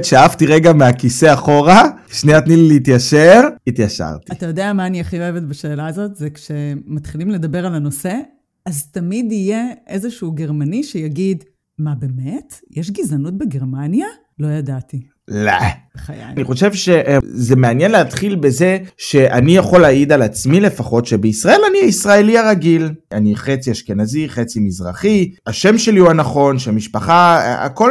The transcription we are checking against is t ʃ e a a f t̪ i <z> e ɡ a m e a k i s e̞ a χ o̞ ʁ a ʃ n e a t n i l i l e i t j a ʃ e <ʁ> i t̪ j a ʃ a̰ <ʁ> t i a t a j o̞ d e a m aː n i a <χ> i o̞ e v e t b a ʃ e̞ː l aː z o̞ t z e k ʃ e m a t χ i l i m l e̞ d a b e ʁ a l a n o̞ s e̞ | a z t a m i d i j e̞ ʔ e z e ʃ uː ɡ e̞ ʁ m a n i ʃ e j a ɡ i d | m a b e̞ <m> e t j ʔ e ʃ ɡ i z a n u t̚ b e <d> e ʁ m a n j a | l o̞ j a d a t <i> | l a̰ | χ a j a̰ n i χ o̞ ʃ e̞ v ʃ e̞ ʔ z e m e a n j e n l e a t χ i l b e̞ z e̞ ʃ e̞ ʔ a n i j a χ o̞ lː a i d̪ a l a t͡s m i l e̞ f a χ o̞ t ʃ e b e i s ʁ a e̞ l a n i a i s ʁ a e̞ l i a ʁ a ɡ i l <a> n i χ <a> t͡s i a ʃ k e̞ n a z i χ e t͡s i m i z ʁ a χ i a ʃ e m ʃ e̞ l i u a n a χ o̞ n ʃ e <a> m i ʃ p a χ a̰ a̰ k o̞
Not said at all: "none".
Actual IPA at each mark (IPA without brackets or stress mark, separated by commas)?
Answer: ʁ, ʁ, ʁ, χ, m, ɡ, i, a, e, a